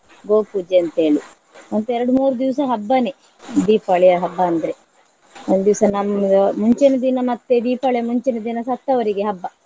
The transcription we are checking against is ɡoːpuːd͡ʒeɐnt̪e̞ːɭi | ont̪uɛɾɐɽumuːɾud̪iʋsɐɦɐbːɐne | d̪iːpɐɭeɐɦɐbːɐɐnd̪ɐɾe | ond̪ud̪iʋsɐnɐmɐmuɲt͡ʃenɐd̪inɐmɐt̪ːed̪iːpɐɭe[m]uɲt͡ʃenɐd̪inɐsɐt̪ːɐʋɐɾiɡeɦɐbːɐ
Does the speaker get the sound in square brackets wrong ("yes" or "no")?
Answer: no